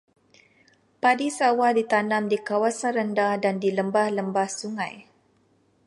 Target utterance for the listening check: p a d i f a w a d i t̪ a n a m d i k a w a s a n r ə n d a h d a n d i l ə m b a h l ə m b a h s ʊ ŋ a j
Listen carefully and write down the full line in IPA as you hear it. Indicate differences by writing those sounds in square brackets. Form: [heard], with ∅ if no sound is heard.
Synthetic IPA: p a d i [s] a w a d i t̪ a n a m d i k a w a s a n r ə n d a h d a n d i l ə m b a h l ə m b a h s [u] ŋ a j